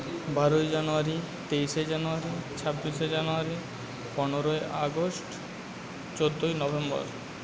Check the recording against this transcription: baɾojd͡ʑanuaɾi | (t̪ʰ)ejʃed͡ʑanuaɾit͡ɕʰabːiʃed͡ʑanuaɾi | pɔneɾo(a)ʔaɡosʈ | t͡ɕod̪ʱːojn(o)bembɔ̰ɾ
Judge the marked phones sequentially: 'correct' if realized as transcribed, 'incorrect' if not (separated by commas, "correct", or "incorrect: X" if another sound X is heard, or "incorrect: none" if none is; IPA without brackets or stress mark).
incorrect: t̪, incorrect: e, incorrect: ɔ